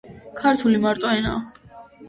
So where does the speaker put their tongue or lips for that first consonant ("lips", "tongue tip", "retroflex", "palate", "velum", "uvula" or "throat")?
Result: velum